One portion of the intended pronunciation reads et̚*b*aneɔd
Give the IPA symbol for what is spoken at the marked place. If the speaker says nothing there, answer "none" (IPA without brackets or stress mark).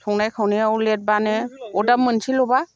b